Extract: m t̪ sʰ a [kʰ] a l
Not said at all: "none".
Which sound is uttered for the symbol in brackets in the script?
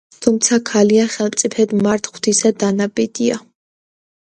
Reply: kʰ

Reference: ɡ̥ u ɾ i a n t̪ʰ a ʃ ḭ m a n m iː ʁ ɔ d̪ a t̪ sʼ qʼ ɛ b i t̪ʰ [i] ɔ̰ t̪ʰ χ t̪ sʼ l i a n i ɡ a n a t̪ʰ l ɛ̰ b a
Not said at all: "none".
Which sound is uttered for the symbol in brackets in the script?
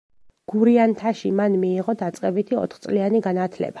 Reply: i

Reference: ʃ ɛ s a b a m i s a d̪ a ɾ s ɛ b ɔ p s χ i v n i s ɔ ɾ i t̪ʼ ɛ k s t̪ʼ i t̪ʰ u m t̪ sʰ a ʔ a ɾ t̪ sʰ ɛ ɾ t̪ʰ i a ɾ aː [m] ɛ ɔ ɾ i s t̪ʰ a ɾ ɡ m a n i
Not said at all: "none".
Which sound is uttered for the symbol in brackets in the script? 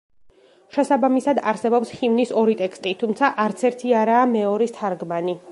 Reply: m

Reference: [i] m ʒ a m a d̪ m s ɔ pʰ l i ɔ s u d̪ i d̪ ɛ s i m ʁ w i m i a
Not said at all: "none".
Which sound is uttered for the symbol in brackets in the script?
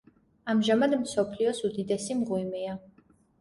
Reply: a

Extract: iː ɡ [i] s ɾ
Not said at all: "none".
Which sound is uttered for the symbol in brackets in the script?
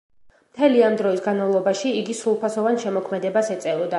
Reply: i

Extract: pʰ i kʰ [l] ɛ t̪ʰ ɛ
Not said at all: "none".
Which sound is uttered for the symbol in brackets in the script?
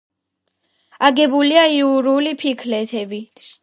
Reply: l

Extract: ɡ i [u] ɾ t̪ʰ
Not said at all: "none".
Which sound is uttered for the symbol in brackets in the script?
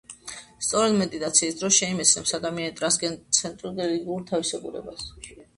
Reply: u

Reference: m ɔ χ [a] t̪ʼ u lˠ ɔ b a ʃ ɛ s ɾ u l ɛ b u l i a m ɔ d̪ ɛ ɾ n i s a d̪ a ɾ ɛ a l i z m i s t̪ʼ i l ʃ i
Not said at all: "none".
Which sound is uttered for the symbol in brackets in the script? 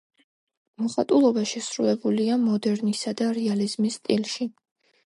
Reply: a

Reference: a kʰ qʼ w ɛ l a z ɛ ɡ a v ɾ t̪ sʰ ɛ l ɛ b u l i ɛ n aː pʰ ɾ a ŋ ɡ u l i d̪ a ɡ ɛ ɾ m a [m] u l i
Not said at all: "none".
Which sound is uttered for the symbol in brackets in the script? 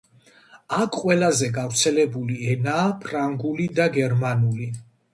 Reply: n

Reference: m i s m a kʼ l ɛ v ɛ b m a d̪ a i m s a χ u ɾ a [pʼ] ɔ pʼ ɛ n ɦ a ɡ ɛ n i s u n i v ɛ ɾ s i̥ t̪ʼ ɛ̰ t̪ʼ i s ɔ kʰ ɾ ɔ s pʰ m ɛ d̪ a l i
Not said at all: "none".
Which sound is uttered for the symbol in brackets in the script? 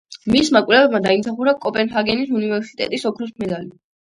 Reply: kʼ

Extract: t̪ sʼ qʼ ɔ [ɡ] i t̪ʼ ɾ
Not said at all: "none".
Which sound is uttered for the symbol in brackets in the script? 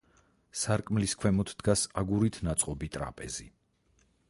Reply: b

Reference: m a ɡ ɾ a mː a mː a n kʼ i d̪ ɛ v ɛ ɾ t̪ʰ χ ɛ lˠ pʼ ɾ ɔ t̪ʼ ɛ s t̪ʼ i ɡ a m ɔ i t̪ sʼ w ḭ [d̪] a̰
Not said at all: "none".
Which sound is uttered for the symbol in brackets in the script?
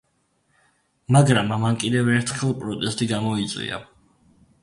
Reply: none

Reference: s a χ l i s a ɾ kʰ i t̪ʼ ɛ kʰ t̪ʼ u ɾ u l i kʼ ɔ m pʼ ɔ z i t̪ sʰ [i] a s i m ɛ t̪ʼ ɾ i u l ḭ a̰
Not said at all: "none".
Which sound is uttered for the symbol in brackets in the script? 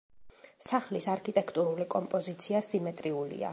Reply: i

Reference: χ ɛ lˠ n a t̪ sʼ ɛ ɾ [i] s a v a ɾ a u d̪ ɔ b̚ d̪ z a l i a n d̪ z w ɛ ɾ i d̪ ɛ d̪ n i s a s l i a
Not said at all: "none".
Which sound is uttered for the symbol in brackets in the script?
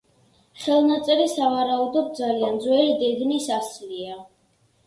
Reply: i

